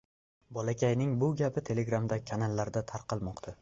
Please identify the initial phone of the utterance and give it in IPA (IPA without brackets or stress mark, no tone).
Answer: b